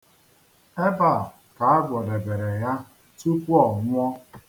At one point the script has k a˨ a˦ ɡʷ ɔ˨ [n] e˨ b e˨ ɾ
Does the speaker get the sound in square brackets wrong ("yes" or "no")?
yes